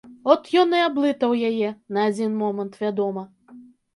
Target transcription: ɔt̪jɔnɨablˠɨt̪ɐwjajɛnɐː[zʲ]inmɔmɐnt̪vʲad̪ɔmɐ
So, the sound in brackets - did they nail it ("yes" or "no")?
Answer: no